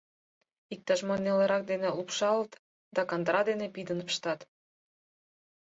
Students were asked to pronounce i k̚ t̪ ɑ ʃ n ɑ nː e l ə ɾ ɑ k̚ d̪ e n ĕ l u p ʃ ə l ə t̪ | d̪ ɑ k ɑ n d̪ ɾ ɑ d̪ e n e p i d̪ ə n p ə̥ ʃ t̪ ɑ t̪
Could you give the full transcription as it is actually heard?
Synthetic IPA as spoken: i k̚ t̪ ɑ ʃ m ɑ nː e l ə ɾ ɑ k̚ d̪ e n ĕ l u p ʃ ɑ l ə t̪ | d̪ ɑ k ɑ n d̪ ɾ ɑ d̪ e n e p i d̪ ə n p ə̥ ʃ t̪ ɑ t̪